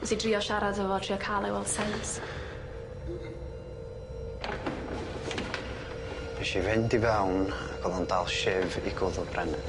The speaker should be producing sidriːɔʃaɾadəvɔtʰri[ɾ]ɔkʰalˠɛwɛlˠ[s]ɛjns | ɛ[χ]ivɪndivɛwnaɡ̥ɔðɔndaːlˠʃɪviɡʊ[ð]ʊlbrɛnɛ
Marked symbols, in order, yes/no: no, yes, no, yes

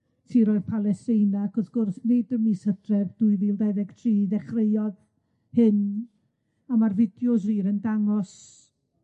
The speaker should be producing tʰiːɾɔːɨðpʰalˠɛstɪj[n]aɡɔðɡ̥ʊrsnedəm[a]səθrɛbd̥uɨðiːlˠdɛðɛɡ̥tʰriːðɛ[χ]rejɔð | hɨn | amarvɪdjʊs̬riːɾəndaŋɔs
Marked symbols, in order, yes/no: yes, no, yes

